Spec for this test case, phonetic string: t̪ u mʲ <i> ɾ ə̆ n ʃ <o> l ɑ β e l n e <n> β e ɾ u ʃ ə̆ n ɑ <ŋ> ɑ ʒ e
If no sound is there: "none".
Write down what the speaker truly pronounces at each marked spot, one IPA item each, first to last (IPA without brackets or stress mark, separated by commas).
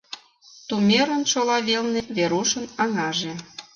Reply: e, o, none, ŋ